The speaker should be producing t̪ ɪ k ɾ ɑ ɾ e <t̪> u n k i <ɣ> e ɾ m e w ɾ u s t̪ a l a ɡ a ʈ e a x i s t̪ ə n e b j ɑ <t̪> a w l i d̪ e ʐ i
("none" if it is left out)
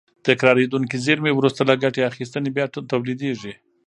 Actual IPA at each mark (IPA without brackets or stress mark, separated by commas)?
d̪, z, t̪